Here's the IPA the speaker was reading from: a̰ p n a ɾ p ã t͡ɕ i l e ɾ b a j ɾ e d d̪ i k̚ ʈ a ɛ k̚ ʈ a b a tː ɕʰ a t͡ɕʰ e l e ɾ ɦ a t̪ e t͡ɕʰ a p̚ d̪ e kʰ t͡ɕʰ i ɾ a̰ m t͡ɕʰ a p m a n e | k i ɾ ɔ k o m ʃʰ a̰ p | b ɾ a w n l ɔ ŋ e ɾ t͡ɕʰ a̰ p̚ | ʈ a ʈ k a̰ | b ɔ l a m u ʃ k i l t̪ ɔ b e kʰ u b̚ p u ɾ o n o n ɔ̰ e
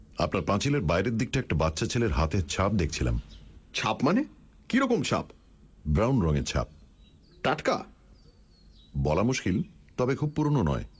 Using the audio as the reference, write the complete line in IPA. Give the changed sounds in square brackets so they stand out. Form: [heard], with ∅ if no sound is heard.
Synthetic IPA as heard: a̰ p n a ɾ p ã t͡ɕ i l e ɾ b a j ɾ e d d̪ i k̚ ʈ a ɛ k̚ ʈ a b a tː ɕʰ a t͡ɕʰ e l e ɾ ɦ a t̪ e t͡ɕʰ a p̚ d̪ e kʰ t͡ɕʰ i [l] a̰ m t͡ɕʰ a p m a n e | k i ɾ ɔ k o m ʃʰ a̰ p | b ɾ a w n [ɾ] ɔ ŋ e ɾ t͡ɕʰ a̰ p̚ | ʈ a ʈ k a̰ | b ɔ l a m u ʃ k i l t̪ ɔ b e kʰ u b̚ p u ɾ o n o n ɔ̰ e